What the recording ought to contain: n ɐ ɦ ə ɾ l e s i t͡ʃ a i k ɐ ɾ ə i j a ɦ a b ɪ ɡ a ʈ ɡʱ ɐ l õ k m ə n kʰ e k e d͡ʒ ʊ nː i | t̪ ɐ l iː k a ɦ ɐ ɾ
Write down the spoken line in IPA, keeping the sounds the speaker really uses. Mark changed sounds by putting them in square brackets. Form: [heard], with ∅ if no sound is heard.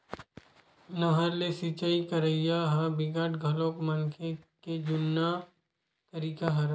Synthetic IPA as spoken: n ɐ ɦ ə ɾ l e s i t͡ʃ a i k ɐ ɾ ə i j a ɦ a b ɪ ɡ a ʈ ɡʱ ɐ l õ k m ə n kʰ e k e d͡ʒ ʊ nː [a] | t̪ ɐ [ɾ] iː k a ɦ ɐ ɾ